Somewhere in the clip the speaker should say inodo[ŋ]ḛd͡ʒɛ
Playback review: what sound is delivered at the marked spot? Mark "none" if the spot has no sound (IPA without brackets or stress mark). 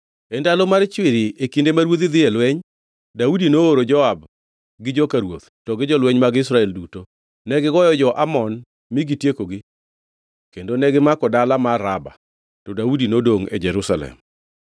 ŋ